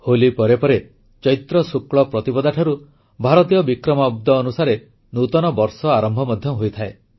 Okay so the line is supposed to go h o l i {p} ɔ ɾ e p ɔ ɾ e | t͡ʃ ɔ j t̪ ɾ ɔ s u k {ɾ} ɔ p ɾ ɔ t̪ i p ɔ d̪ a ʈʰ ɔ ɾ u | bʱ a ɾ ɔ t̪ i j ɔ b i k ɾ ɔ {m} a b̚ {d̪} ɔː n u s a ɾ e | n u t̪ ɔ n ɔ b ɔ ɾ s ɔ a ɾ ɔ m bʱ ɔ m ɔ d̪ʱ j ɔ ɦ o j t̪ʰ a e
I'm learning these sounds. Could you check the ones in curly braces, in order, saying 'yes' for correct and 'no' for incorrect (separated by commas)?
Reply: yes, no, yes, yes